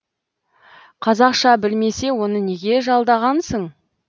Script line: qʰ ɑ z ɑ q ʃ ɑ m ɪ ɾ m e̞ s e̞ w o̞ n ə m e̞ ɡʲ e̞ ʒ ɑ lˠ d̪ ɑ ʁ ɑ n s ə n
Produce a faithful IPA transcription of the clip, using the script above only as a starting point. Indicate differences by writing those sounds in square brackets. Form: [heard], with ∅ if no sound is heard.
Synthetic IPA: qʰ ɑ z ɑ q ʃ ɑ [b] ɪ [l] m e̞ s e̞ w o̞ n ə [n] e̞ ɡʲ e̞ ʒ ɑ lˠ d̪ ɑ ʁ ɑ n s ə [ɴ]